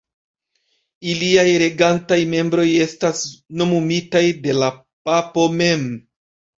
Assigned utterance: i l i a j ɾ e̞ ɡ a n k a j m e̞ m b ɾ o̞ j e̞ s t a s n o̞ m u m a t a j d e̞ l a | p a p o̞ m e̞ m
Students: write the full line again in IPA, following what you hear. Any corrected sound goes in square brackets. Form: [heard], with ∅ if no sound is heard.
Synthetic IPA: i l i a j ɾ e̞ ɡ a n [t] a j m e̞ m b ɾ o̞ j e̞ s t a s n o̞ m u m [i] t a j d e̞ l a | p a p o̞ m e̞ m